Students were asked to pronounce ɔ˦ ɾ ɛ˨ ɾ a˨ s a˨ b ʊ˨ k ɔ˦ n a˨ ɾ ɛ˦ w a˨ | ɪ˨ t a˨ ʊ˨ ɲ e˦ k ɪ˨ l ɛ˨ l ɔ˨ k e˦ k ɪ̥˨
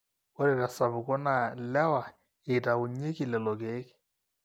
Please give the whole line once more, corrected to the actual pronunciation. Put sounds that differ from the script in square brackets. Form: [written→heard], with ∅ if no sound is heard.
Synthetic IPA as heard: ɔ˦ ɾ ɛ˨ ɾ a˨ s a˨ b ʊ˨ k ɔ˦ n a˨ [ɾ→l] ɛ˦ w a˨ | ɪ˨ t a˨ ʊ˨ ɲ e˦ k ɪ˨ l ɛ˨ l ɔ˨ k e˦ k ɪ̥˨